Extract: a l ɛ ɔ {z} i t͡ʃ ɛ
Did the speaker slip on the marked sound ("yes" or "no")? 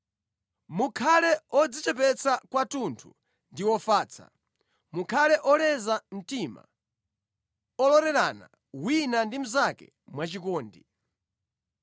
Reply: yes